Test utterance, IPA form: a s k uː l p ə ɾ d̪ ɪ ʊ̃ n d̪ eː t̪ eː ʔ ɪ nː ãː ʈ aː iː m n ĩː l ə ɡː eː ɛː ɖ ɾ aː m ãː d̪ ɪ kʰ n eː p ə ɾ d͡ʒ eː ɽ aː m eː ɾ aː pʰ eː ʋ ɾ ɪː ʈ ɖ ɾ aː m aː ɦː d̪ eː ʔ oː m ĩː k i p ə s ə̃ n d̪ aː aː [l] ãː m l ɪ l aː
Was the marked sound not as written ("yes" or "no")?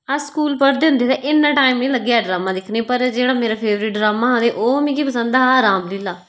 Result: yes